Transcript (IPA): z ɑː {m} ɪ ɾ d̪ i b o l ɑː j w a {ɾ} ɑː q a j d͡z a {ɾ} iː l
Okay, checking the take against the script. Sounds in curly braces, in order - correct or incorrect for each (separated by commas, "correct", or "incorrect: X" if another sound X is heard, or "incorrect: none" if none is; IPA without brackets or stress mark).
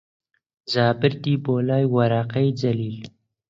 incorrect: b, correct, incorrect: l